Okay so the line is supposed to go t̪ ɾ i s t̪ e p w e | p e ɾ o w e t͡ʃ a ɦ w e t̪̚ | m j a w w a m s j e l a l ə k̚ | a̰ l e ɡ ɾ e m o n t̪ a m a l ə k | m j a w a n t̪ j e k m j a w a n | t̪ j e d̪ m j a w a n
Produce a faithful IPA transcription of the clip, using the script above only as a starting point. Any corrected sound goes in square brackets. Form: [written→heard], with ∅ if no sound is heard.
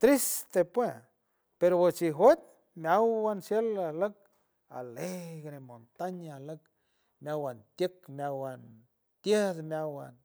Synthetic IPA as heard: t̪ ɾ i s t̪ e p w e | p e ɾ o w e t͡ʃ [a→i] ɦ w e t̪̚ | m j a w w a [m→n] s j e l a l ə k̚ | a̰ l e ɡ ɾ e m o n t̪ a [m→ɲ] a l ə k | m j a w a n t̪ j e k m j a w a n | t̪ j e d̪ m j a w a n